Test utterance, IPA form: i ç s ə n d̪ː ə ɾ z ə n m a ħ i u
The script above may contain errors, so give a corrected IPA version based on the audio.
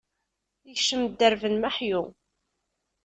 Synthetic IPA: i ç ʃ ə m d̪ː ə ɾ v ə n m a ħ j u